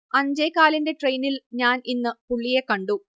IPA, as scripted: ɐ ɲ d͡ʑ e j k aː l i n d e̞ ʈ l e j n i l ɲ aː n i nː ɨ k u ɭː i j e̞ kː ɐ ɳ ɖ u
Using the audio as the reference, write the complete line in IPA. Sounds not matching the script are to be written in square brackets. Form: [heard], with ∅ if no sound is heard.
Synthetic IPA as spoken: ɐ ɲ d͡ʑ e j k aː l i n d e̞ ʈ [r] e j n i l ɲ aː n i nː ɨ [p] u ɭː i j e̞ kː ɐ ɳ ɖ u

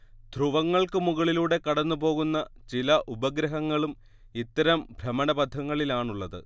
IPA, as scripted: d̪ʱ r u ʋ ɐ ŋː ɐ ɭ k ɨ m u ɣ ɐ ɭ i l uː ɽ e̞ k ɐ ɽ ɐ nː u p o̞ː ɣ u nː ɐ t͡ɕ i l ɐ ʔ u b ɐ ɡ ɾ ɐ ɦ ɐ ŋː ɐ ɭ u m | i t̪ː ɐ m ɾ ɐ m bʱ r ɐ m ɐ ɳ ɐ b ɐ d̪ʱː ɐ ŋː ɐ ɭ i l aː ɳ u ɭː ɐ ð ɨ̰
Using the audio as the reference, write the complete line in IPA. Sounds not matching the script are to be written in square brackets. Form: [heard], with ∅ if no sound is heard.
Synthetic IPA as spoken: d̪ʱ r u ʋ ɐ ŋː ɐ ɭ k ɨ m u ɣ ɐ ɭ i l uː ɽ e̞ k ɐ ɽ ɐ nː u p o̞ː ɣ u nː ɐ t͡ɕ i l ɐ ʔ u b ɐ ɡ ɾ ɐ ɦ ɐ ŋː ɐ ɭ u m | i t̪ː ɐ [∅] ɾ ɐ m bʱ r ɐ m ɐ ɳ ɐ b ɐ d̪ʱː ɐ ŋː ɐ ɭ i l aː ɳ u ɭː ɐ ð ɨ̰

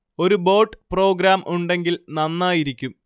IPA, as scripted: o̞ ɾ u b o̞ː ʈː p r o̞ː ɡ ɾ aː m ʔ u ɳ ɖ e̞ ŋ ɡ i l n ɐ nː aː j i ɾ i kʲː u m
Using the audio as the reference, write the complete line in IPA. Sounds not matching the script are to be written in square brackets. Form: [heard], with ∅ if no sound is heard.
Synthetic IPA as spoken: o̞ ɾ u b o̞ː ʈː p r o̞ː ɡ ɾ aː m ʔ u ɳ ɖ e̞ ŋ ɡ i l n ɐ nː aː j i ɾ i kʲː u m

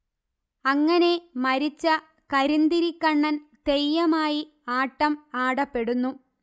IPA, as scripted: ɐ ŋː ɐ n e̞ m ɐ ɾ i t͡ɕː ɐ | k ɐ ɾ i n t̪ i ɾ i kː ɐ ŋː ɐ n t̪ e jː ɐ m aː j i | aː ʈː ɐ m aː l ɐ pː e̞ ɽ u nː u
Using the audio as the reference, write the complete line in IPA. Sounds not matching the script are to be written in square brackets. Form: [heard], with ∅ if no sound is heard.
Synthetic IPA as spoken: ɐ ŋː ɐ n e̞ m ɐ ɾ i t͡ɕː ɐ | k ɐ ɾ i n [d̪] i ɾ i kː ɐ [ɳː] ɐ n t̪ e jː ɐ m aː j i | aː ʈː ɐ m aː [ɽ] ɐ pː e̞ ɽ u nː u

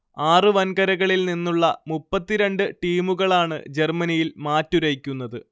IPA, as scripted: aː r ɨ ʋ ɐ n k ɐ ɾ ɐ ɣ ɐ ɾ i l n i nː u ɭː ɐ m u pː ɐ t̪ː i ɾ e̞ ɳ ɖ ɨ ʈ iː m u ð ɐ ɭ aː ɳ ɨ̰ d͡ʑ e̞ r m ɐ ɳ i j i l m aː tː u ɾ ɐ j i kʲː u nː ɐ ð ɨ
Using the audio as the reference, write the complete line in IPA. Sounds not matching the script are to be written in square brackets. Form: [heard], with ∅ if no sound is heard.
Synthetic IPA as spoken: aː r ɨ ʋ ɐ n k ɐ ɾ ɐ ɣ ɐ [ɭ] i l n i nː u ɭː ɐ m u pː ɐ t̪ː i ɾ e̞ ɳ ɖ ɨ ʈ iː m u [ɣ] ɐ ɭ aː ɳ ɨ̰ d͡ʑ e̞ r m ɐ [n] i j i l m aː tː u ɾ ɐ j i kʲː u nː ɐ ð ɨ

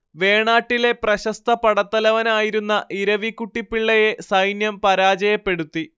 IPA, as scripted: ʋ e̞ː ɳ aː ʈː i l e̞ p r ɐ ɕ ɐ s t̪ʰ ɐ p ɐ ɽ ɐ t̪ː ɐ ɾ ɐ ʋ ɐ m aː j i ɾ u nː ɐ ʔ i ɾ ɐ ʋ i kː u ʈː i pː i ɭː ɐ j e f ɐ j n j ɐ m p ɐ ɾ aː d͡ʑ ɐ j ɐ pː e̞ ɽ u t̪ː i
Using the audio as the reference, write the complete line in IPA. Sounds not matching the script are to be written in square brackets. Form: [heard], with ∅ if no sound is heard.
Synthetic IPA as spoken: ʋ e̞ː ɳ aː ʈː i l e̞ p r ɐ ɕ ɐ s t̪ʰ ɐ p ɐ ɽ ɐ t̪ː ɐ [l] ɐ ʋ ɐ [n] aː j i ɾ u nː ɐ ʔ i ɾ ɐ ʋ i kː u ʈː i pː i ɭː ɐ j e [s] ɐ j n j ɐ m p ɐ ɾ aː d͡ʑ ɐ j ɐ pː e̞ ɽ u t̪ː i

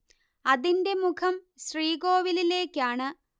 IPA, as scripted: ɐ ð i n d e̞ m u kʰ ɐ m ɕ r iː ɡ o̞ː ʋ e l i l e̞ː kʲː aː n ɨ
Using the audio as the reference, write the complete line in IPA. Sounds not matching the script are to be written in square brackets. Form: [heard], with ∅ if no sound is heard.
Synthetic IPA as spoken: ɐ ð i n d e̞ m u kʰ ɐ m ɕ r iː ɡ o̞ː ʋ [i] l i l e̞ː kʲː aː [ɳ] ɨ

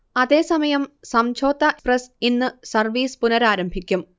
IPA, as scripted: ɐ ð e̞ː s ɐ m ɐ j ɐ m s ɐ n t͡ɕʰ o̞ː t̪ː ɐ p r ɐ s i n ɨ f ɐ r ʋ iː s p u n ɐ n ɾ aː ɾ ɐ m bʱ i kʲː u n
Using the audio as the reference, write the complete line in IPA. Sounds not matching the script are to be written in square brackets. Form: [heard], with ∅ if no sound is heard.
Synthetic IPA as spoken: ɐ ð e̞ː s ɐ m ɐ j ɐ m s ɐ [m] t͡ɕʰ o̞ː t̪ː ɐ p r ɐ s i [nː] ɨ [s] ɐ r ʋ iː s p u n ɐ [∅] ɾ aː ɾ ɐ m bʱ i kʲː u [m]

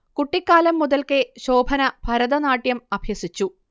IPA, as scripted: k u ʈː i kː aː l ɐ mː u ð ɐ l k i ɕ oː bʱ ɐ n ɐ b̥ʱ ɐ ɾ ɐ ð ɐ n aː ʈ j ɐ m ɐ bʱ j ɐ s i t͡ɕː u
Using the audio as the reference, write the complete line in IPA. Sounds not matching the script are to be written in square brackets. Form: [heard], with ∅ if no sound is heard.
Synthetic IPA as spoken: k u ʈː i kː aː l ɐ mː u ð ɐ l k [e] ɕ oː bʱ ɐ n ɐ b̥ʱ ɐ ɾ ɐ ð ɐ n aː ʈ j ɐ m ɐ bʱ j ɐ s i t͡ɕː u

